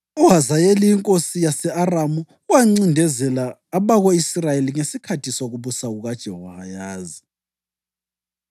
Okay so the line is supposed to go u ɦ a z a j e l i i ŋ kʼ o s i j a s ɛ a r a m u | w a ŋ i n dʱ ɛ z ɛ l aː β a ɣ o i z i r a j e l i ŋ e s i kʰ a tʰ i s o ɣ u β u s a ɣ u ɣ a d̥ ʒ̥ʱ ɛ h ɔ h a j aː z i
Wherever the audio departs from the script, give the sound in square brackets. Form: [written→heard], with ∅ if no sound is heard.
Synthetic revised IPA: u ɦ a z a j e l i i ŋ kʼ o s i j a s ɛ a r a m u | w a [ŋ→ŋ͡ǀ] i n dʱ ɛ z ɛ l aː β a ɣ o i [z→s] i r a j e l i ŋ e s i kʰ a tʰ i s o ɣ u β u s a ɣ u ɣ a d̥ ʒ̥ʱ ɛ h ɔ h a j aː z i